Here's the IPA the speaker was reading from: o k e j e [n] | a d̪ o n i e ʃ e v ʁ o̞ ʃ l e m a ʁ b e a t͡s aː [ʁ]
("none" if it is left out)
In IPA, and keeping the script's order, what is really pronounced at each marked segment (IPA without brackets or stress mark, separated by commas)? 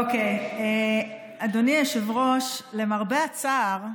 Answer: none, ʁ